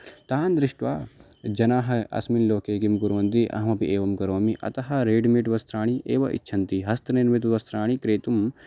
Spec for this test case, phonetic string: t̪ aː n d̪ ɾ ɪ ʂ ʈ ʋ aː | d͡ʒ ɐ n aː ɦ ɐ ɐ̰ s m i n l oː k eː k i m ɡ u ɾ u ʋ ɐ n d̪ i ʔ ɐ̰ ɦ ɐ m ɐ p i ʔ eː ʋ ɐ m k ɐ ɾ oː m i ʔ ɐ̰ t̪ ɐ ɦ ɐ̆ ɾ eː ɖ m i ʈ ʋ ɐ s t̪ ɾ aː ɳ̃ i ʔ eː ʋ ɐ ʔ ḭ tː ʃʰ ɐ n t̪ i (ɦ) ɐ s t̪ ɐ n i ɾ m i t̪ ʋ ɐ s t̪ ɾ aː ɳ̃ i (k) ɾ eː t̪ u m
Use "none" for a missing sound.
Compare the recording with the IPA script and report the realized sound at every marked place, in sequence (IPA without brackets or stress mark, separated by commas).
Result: ɦ, k